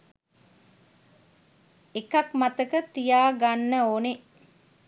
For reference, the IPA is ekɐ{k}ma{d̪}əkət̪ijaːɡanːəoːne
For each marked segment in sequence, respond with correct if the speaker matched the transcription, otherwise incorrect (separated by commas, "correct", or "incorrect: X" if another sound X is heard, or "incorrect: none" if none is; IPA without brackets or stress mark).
correct, incorrect: t̪